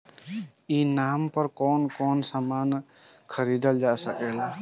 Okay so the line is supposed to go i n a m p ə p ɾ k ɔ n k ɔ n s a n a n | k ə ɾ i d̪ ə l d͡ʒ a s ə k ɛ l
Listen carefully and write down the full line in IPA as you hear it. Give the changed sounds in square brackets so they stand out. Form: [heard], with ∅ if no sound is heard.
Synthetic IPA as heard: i n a m p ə [∅] ɾ k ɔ n k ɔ n s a [m] a n | [kʰ] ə ɾ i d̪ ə l d͡ʒ a s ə k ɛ l